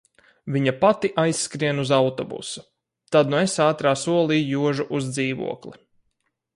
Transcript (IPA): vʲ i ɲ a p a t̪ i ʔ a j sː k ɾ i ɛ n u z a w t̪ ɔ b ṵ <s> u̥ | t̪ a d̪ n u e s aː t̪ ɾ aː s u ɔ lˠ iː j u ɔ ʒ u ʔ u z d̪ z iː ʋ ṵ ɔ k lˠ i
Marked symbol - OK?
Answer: yes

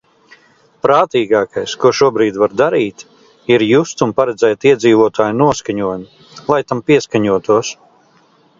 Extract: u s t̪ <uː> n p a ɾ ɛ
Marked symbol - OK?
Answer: no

